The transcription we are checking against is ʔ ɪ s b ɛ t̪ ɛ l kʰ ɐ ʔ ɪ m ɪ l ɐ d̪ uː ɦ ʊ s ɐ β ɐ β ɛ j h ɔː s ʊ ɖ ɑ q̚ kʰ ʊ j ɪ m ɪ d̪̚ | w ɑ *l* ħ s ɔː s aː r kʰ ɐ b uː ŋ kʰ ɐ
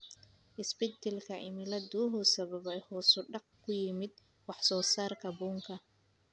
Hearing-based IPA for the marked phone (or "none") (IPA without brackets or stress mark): none